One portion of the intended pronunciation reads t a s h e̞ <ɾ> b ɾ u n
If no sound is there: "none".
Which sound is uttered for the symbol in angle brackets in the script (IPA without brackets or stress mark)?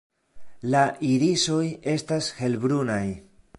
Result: l